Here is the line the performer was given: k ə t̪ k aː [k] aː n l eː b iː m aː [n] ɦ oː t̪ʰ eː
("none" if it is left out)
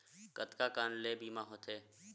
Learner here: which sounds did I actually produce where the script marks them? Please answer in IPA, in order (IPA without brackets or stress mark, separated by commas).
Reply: k, none